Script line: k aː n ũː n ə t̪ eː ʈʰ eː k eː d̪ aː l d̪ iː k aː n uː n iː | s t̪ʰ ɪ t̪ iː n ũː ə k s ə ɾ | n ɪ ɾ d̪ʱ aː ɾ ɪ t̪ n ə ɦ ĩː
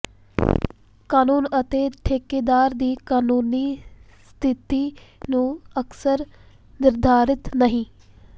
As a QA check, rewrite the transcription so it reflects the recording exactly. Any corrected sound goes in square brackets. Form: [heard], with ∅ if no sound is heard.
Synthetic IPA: k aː n [uː] n ə t̪ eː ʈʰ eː k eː d̪ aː [ɾ] d̪ iː k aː n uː n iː | s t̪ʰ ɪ t̪ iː n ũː ə k s ə ɾ | n ɪ ɾ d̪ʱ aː ɾ ɪ t̪ n ə ɦ ĩː